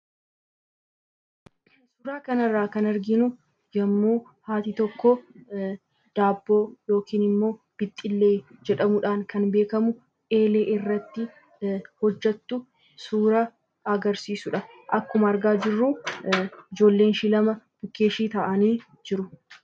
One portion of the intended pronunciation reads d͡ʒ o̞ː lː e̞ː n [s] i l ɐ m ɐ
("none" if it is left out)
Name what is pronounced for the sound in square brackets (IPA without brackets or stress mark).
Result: ʃ